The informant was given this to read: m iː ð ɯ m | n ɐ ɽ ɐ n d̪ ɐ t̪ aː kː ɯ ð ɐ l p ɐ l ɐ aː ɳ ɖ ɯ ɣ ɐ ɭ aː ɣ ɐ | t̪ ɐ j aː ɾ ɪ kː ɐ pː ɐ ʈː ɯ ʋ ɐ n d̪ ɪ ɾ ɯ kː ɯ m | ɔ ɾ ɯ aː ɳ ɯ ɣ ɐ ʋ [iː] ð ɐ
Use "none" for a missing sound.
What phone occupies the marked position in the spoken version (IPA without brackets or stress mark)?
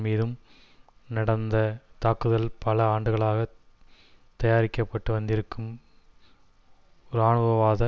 aː